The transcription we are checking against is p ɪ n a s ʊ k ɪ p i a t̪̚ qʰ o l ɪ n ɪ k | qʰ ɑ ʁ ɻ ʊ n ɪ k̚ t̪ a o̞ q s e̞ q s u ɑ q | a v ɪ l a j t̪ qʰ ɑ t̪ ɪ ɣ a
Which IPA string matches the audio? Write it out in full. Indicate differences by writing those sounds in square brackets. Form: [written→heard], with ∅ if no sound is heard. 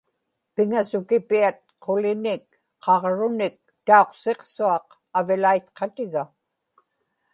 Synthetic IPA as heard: p ɪ [n→ŋ] a s ʊ k ɪ p i a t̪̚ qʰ o l ɪ n ɪ k | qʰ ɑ ʁ ɻ ʊ n ɪ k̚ t̪ a o̞ q s e̞ q s u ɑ q | a v ɪ l a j t̪ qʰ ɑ t̪ ɪ ɣ a